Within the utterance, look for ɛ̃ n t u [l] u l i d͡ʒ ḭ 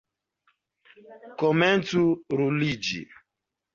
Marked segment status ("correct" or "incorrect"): incorrect